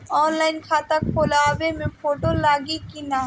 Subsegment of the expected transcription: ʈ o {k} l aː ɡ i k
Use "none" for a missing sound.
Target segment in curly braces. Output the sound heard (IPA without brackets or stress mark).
none